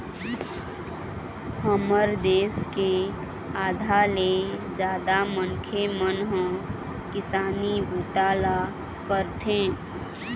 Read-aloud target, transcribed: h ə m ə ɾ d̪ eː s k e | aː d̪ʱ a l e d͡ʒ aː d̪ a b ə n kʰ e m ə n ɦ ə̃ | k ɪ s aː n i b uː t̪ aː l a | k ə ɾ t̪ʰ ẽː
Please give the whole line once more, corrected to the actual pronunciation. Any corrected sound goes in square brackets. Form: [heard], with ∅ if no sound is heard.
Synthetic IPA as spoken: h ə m ə ɾ d̪ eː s k e | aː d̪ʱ a l e d͡ʒ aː d̪ a [m] ə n kʰ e m ə n ɦ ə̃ | k ɪ s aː n i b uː t̪ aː l a | k ə ɾ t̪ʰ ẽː